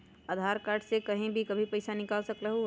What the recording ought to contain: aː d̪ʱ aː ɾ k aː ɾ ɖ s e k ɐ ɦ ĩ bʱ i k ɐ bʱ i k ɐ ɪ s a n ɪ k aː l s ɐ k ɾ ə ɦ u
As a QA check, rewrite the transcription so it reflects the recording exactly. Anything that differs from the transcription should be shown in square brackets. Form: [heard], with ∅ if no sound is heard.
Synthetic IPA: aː d̪ʱ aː ɾ k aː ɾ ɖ s e k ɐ ɦ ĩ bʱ i k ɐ bʱ i [p] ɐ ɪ s a n ɪ k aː l s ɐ k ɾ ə ɦ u